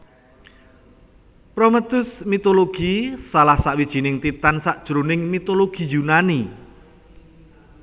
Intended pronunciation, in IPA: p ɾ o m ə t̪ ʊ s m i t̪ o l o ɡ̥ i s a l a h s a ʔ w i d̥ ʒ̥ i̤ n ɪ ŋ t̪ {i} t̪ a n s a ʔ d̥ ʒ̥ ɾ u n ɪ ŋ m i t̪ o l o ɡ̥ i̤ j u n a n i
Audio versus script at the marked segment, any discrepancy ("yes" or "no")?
no